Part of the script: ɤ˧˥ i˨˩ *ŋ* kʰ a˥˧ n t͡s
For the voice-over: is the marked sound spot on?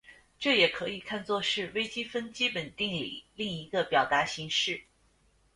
no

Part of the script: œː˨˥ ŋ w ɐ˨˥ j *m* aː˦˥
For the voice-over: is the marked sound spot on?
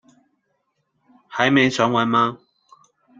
yes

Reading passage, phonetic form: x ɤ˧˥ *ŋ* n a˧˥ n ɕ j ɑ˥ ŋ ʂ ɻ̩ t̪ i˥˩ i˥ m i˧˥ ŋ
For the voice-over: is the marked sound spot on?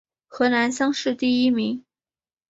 no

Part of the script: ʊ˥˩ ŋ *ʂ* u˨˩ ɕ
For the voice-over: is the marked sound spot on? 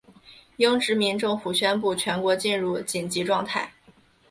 no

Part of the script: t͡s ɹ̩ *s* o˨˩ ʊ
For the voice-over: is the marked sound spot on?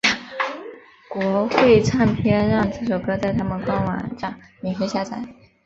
no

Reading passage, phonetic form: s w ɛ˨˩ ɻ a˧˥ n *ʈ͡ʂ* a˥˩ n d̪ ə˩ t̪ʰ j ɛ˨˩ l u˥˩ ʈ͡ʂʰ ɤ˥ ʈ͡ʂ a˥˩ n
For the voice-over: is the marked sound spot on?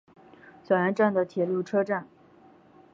yes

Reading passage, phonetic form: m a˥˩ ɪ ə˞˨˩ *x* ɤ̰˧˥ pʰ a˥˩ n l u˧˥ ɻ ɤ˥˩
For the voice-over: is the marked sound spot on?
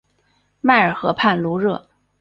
yes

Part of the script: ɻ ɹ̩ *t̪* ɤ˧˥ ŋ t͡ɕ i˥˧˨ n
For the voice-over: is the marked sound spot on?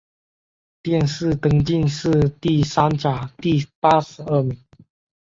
yes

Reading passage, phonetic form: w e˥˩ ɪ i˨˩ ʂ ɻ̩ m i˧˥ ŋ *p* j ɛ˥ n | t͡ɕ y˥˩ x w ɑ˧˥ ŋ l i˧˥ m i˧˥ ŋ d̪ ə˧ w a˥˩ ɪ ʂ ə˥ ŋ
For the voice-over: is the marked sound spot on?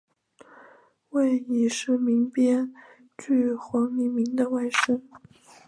yes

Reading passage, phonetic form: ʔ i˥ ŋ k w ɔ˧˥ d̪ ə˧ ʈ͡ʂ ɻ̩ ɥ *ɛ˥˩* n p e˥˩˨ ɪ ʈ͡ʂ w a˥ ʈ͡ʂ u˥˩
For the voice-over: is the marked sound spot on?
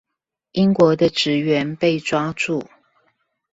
no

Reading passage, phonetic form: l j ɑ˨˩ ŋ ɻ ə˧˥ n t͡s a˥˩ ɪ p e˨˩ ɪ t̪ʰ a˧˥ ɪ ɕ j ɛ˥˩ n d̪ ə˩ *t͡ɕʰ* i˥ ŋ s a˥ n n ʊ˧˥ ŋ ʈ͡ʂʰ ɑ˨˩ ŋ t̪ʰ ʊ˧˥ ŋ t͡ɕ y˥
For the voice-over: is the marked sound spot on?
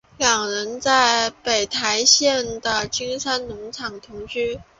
no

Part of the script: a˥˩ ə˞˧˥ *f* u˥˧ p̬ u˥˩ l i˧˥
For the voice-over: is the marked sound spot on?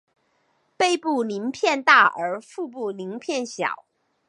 yes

